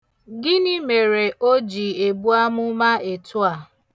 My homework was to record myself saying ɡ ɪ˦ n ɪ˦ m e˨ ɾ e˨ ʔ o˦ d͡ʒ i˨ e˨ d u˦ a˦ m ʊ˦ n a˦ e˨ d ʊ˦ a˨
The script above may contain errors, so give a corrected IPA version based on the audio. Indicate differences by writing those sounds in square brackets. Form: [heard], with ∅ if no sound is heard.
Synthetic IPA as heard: ɡ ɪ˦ n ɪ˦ m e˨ ɾ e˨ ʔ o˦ d͡ʒ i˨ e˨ [b] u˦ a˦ m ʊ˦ [m] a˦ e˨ [t] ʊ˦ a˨